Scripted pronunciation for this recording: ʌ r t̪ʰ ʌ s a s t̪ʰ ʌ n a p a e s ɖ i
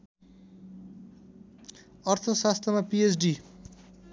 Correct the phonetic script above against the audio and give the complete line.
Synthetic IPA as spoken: ʌ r t̪ʰ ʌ s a s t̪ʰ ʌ m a p i e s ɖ i